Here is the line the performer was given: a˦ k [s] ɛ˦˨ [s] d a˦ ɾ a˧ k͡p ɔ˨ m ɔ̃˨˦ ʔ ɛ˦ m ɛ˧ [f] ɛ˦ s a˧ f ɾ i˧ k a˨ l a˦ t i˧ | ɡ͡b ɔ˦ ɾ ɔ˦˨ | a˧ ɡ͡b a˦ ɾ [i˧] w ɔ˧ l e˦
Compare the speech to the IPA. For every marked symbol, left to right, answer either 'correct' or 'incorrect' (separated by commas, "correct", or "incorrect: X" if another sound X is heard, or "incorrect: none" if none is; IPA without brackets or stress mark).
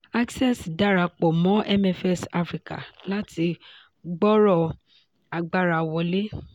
correct, correct, correct, incorrect: a˧